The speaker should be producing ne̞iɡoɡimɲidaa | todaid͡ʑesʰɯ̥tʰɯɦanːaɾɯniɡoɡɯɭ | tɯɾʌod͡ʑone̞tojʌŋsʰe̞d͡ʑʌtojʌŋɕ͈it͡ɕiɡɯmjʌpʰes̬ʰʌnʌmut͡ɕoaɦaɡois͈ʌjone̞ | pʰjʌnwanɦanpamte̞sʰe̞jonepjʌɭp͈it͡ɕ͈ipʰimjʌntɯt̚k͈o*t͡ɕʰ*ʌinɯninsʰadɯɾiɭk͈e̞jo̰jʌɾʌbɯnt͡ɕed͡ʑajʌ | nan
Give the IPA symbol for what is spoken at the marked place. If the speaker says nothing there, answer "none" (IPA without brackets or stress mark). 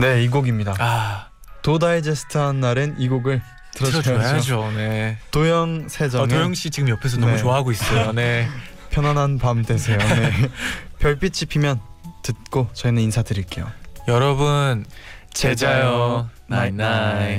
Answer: t͡ɕ